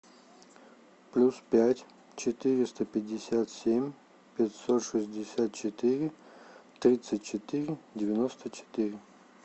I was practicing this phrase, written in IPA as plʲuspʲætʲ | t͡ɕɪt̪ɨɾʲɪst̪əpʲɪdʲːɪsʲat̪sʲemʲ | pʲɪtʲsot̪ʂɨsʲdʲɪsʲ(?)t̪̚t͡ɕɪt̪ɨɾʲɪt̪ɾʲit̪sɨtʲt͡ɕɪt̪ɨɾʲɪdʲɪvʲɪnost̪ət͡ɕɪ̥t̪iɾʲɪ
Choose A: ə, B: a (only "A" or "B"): B